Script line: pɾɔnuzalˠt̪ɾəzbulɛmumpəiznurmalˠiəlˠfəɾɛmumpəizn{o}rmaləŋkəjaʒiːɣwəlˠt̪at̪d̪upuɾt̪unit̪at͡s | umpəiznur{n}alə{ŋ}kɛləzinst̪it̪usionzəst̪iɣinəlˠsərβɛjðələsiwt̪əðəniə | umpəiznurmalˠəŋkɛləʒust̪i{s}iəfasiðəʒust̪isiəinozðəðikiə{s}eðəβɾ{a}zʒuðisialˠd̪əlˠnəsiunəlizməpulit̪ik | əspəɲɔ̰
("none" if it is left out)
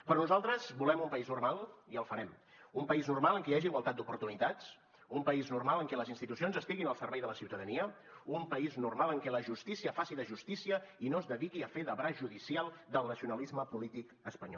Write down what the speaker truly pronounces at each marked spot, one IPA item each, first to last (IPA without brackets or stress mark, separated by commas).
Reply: u, m, ŋ, s, f, a